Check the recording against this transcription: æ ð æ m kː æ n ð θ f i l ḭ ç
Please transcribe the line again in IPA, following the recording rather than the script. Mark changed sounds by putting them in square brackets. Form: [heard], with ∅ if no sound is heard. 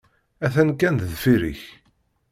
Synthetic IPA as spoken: æ [θ] æ [n] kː æ n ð [ð] f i [ɾ] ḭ ç